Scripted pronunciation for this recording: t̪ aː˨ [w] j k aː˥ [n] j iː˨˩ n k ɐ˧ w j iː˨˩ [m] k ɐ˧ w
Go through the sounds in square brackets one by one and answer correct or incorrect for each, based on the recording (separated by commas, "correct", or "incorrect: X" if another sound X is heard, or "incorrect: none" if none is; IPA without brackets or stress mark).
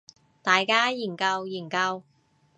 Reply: incorrect: none, incorrect: none, incorrect: n